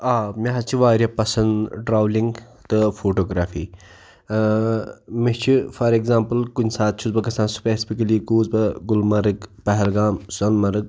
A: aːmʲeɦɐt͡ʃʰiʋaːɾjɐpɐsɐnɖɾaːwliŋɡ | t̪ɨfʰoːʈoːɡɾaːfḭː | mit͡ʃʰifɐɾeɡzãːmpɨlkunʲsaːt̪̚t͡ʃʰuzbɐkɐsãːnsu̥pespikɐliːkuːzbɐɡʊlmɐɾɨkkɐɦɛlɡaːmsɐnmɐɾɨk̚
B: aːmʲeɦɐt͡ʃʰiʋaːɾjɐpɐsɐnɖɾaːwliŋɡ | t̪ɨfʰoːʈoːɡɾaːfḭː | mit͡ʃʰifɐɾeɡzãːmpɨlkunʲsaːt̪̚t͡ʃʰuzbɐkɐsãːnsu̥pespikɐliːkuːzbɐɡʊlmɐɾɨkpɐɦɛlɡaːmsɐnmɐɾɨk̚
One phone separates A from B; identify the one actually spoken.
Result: B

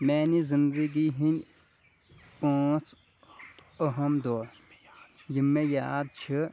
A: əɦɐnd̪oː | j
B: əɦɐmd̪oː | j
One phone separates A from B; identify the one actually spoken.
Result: B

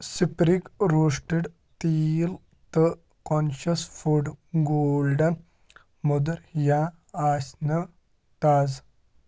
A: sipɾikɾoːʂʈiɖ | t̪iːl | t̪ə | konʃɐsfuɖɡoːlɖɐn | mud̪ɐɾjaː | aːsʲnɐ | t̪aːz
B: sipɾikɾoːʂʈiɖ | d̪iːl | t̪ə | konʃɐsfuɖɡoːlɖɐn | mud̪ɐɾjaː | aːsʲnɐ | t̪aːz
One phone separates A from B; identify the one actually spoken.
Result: A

